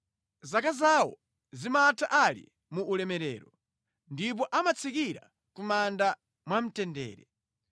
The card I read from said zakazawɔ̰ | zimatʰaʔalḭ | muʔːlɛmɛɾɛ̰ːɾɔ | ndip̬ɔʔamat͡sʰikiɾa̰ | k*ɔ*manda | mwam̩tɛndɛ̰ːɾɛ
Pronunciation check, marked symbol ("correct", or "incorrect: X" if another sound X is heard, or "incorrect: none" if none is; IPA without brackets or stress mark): incorrect: u